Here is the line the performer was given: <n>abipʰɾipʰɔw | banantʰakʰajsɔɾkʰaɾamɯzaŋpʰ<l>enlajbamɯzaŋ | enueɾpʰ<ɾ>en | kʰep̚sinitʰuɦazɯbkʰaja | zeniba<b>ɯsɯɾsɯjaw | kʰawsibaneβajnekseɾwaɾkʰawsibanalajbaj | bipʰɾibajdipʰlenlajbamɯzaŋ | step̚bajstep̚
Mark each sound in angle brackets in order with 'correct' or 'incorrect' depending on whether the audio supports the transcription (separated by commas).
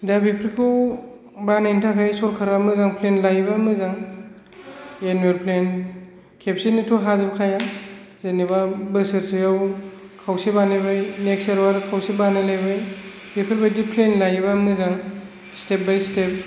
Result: incorrect, correct, incorrect, correct